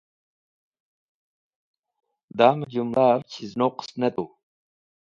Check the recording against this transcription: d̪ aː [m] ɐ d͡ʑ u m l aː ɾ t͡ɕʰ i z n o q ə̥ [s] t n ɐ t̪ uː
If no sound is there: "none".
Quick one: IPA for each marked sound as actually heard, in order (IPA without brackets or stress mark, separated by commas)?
m, s